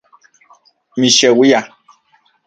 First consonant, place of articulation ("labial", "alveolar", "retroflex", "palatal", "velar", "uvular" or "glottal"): labial